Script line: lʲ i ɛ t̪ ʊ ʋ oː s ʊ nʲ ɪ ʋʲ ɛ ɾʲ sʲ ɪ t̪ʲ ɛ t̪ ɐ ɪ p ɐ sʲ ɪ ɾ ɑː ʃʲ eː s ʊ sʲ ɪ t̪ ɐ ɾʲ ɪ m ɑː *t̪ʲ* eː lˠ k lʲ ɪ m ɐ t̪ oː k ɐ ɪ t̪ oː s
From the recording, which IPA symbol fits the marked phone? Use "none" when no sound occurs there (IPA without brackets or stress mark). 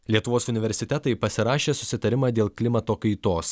d̪ʲ